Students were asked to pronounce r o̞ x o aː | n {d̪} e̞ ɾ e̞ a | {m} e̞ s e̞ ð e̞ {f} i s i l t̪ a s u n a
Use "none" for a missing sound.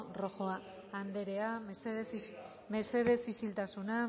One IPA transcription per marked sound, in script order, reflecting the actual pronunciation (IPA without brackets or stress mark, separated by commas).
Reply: d̪, m, s